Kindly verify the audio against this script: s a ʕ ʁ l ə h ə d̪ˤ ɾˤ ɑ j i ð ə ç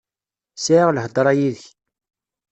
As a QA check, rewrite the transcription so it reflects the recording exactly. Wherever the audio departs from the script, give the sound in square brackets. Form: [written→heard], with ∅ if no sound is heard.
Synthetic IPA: s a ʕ ʁ l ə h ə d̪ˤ ɾˤ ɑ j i ð ə ç